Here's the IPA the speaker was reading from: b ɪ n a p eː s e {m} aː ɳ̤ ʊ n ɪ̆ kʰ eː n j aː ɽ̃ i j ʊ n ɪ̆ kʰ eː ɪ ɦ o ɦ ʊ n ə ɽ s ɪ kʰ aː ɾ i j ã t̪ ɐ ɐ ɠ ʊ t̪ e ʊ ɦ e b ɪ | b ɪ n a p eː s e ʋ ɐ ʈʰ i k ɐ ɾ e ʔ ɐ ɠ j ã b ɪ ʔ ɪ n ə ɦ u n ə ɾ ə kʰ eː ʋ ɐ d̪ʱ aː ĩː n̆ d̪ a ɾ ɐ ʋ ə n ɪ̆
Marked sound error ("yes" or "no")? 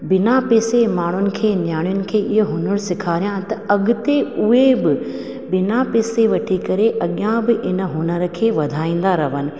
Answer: no